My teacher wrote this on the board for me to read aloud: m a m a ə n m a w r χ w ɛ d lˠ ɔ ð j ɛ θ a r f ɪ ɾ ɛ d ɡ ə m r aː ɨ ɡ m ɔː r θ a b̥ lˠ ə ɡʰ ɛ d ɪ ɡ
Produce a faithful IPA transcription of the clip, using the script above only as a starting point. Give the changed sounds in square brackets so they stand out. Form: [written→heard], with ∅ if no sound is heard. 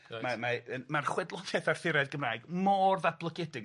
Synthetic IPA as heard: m a m a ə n m a [w→∅] r χ w ɛ d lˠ ɔ ð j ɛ θ a r f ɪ ɾ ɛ d ɡ ə m r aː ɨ ɡ m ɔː r [θ→ð] a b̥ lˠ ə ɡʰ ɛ d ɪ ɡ

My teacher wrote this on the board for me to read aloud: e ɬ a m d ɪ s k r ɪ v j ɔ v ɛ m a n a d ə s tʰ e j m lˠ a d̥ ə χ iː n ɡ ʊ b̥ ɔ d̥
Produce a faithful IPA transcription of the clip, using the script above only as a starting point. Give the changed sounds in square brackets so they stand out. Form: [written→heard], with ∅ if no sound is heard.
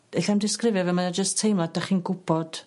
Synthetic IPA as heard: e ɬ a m d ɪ s k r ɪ v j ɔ v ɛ m a n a [d→d͡ʒ] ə s tʰ e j m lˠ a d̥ [ə→a] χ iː n ɡ ʊ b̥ ɔ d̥

